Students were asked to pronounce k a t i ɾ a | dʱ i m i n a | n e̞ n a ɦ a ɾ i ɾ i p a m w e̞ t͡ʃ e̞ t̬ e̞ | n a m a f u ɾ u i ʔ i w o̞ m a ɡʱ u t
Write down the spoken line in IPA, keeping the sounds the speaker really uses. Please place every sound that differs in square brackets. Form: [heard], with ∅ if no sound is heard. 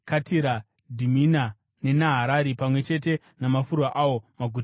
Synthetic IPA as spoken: k a t i ɾ a | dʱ i m i n a | n e̞ n a ɦ a ɾ [a] ɾ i p a m w e̞ t͡ʃ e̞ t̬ e̞ | n a m a f u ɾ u [a] ʔ [a] w o̞ m a ɡʱ u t